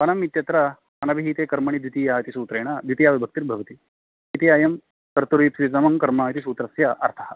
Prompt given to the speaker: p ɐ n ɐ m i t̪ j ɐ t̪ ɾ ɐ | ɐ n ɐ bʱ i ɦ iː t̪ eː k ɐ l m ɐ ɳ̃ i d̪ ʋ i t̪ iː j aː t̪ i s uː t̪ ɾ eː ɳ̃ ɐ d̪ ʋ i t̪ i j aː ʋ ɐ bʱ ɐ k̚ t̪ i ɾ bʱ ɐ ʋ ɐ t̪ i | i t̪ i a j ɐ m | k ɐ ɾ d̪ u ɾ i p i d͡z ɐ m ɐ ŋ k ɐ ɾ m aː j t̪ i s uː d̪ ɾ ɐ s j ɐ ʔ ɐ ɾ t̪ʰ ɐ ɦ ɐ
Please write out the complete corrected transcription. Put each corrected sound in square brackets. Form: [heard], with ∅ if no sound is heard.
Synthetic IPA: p ɐ n ɐ m i t̪ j ɐ t̪ ɾ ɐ | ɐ n ɐ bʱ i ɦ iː t̪ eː k ɐ [ɾ] m ɐ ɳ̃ i d̪ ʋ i t̪ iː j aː t̪ i s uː t̪ ɾ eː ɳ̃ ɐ d̪ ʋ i t̪ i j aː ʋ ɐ bʱ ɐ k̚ t̪ i ɾ bʱ ɐ ʋ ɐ t̪ i | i t̪ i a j ɐ m | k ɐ ɾ [t̪] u ɾ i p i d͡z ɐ m ɐ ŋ k ɐ ɾ m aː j t̪ i s uː [t̪] ɾ ɐ s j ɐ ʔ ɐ ɾ t̪ʰ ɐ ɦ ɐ